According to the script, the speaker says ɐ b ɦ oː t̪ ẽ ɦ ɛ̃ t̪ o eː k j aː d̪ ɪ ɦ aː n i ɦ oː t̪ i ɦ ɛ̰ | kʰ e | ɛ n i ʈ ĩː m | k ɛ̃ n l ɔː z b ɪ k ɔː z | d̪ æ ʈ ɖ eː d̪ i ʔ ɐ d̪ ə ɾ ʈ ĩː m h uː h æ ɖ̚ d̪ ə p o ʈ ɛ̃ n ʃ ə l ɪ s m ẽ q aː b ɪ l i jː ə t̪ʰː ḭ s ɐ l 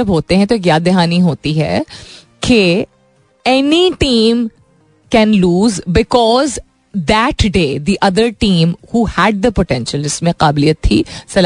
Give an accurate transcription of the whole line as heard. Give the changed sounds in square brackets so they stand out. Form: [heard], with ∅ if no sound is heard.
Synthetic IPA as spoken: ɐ b ɦ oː t̪ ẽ ɦ ɛ̃ t̪ o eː k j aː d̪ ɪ ɦ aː n i ɦ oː t̪ i ɦ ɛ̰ | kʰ e | ɛ n i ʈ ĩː m | k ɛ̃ n l [uː] z b ɪ k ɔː z | d̪ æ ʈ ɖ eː d̪ i ʔ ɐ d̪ ə ɾ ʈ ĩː m h uː h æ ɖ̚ d̪ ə p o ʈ ɛ̃ n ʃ ə l ɪ s m ẽ q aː b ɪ l i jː ə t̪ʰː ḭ s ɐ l